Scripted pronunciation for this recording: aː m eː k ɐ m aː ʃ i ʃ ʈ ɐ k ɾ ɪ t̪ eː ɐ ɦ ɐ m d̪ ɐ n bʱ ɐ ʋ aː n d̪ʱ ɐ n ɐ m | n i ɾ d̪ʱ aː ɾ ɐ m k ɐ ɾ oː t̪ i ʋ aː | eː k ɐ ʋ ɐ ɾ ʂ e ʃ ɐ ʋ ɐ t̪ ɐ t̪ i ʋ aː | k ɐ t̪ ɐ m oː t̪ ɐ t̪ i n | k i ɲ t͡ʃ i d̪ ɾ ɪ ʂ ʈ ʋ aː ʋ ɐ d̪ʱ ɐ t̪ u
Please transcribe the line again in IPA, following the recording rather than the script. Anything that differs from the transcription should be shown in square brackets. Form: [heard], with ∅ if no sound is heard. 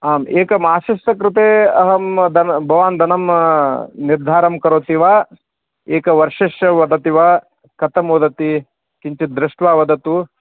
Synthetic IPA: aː m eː k ɐ m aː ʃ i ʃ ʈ ɐ k ɾ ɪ t̪ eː ɐ ɦ ɐ m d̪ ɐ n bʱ ɐ ʋ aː n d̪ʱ ɐ n ɐ m | n i ɾ d̪ʱ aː ɾ ɐ m k ɐ ɾ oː t̪ i ʋ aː | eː k ɐ ʋ ɐ ɾ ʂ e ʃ ɐ ʋ ɐ [d̪] ɐ t̪ i ʋ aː | k ɐ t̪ ɐ m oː [d̪] ɐ t̪ i [∅] | k i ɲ t͡ʃ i d̪ ɾ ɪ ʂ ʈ ʋ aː ʋ ɐ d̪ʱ ɐ t̪ u